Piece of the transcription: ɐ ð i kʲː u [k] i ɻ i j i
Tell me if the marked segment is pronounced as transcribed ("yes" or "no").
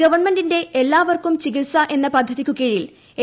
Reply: yes